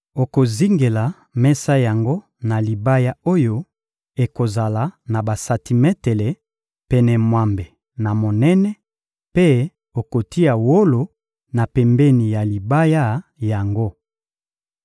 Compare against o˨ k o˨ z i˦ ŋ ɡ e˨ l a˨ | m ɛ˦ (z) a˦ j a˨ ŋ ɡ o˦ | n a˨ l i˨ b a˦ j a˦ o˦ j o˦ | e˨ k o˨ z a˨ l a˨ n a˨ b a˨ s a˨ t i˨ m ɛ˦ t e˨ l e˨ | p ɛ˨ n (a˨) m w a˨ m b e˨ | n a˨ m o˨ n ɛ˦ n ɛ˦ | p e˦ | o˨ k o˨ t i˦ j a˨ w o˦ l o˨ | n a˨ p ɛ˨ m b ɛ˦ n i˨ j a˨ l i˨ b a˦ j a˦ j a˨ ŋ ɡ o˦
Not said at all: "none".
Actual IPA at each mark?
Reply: s, ɛ˨

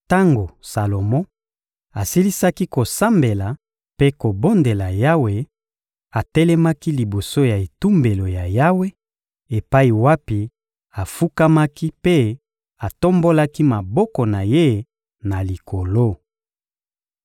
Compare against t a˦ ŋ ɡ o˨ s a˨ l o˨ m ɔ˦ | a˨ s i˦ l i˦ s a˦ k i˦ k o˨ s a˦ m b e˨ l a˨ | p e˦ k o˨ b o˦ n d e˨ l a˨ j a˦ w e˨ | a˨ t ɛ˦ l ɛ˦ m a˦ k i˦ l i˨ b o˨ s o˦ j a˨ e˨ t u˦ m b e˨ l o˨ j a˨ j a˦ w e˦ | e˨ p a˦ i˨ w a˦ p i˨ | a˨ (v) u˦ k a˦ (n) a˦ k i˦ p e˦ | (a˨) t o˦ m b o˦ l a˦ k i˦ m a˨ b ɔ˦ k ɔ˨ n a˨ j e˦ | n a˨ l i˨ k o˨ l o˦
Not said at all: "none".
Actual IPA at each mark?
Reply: f, m, a˨

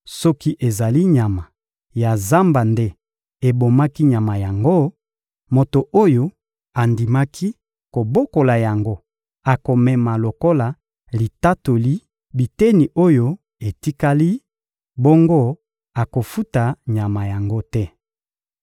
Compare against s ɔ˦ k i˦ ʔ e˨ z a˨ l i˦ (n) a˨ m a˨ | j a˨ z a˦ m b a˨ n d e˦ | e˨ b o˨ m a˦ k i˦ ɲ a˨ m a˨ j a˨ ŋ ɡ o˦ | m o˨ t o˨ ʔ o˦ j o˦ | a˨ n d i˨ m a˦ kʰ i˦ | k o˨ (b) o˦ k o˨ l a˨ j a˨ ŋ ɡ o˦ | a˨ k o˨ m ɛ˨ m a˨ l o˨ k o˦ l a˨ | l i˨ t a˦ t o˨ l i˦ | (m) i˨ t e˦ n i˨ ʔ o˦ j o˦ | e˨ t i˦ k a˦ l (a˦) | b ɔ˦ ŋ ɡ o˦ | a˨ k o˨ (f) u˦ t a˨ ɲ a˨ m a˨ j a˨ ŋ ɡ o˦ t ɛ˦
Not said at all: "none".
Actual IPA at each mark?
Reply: ɲ, b, b, i˦, f

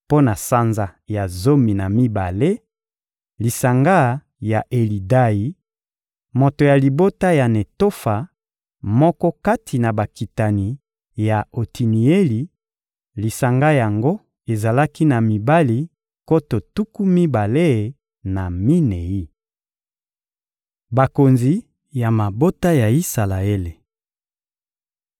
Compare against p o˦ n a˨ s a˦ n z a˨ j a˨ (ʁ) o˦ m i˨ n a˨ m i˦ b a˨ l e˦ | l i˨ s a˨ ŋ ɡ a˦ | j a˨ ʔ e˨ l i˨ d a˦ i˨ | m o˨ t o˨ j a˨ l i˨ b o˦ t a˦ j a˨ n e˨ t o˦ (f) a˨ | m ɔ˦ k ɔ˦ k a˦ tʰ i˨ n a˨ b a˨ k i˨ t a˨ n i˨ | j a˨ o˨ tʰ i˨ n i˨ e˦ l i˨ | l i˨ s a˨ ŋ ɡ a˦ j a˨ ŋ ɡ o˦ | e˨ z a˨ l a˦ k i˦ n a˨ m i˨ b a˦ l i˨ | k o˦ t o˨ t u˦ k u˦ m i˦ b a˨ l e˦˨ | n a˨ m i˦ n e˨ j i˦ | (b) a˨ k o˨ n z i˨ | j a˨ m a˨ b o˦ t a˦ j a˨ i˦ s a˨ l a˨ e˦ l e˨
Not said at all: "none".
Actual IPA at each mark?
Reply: z, f, b

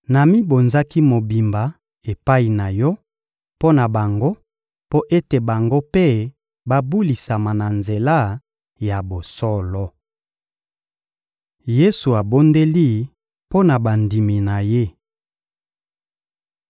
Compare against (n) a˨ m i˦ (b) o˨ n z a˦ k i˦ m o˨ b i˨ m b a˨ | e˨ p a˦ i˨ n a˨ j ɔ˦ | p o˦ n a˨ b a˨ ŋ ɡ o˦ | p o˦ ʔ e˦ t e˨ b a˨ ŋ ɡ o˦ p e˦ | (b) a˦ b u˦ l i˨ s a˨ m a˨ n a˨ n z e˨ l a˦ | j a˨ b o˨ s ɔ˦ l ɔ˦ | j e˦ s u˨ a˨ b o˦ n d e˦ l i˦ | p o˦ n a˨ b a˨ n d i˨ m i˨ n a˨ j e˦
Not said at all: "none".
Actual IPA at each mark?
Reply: n, b, b

